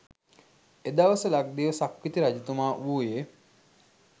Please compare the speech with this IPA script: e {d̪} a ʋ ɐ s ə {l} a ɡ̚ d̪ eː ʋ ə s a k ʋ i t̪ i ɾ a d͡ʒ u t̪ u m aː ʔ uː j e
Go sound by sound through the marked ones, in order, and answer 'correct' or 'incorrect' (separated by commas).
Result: correct, correct